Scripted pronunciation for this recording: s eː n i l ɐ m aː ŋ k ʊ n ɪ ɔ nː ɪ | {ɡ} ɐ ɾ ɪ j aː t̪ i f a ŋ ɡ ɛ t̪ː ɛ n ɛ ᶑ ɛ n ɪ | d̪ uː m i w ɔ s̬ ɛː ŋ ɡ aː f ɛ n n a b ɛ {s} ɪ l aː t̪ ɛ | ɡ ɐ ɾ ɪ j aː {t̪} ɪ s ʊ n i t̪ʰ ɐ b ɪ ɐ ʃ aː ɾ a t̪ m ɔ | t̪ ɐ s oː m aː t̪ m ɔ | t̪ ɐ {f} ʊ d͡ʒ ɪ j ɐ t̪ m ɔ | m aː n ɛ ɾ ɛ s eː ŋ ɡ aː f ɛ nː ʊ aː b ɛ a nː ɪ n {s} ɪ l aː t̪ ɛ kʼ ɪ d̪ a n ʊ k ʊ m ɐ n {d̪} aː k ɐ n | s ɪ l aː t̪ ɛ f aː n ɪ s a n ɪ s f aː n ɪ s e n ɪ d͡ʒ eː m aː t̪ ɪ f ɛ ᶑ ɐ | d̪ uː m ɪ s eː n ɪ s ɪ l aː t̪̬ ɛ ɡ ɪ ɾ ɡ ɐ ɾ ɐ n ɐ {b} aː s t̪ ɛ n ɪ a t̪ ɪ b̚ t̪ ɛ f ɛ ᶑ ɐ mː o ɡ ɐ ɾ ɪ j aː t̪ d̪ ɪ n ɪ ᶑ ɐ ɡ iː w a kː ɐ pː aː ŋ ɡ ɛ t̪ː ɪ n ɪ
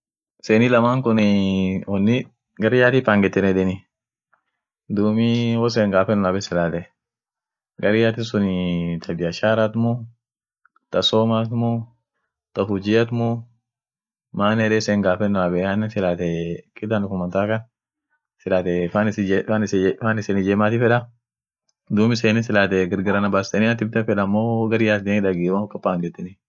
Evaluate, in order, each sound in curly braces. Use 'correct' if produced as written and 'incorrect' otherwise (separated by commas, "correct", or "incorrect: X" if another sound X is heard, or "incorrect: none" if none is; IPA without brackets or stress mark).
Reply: correct, correct, correct, correct, correct, incorrect: t̪, correct